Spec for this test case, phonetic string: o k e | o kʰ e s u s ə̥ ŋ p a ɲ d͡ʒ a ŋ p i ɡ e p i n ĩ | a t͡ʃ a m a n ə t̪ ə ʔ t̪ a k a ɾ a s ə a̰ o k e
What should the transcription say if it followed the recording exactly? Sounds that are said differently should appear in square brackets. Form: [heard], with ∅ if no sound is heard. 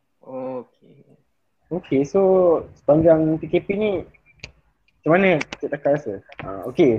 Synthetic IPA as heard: o k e | o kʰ e s [o] s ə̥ [∅] p a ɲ d͡ʒ a ŋ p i [k] e p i n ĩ | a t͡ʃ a m a n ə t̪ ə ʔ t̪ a k a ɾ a s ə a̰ o k e